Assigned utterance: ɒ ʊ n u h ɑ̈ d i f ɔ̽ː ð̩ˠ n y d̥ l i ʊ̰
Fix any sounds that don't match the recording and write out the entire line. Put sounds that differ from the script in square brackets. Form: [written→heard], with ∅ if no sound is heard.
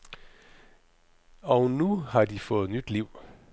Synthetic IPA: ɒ ʊ n u h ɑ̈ d i f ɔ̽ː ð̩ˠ n y d̥ l i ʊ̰